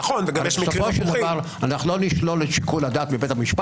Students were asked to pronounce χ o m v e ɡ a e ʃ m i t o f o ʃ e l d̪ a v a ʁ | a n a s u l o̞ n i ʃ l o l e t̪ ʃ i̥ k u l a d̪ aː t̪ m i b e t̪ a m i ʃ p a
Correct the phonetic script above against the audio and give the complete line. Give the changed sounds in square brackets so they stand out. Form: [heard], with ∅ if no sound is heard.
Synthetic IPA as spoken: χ o [n] v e ɡ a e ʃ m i [s] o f o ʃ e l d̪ a v a ʁ | a n a [χ] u l o̞ n i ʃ l o l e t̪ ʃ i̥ k u l a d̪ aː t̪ m i b e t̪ a m i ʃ p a